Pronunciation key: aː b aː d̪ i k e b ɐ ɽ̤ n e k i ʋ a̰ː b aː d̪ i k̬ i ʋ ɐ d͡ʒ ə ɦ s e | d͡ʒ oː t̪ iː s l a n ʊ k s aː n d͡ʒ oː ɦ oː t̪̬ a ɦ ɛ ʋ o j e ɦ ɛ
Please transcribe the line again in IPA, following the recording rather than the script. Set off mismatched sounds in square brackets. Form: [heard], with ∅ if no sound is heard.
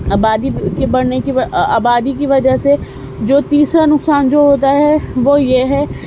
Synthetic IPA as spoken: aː b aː d̪ i k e b ɐ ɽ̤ n e k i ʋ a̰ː b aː d̪ i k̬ i ʋ ɐ d͡ʒ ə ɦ s e | d͡ʒ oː t̪ iː s [ɾ] a n ʊ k s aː n d͡ʒ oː ɦ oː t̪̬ a ɦ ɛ ʋ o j e ɦ ɛ